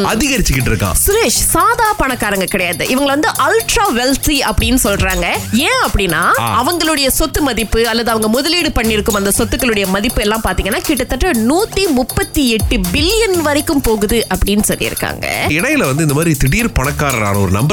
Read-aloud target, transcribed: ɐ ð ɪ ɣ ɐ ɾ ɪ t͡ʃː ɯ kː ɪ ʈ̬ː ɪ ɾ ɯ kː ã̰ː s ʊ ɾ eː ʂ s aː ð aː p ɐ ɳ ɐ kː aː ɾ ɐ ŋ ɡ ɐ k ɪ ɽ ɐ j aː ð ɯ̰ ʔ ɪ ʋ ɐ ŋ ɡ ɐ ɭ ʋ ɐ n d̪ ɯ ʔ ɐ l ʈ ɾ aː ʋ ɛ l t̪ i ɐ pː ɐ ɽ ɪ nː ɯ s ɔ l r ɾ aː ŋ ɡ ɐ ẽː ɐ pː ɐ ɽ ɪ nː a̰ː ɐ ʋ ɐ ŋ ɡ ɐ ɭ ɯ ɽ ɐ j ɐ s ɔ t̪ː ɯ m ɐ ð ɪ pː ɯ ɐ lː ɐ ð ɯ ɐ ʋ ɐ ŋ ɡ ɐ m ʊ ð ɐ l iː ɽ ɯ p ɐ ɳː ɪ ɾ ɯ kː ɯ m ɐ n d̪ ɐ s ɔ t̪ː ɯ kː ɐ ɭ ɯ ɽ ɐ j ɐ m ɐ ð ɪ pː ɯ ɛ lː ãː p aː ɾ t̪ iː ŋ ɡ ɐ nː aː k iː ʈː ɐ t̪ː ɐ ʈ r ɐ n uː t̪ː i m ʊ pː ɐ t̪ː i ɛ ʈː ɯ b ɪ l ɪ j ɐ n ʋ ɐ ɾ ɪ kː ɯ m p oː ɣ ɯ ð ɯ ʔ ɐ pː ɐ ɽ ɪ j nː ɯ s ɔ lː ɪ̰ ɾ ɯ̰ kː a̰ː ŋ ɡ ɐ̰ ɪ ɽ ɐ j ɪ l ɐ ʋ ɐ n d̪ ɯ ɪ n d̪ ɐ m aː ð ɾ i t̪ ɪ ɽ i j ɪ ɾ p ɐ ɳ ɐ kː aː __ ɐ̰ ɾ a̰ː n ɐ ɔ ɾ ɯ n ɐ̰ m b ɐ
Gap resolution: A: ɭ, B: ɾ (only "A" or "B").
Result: B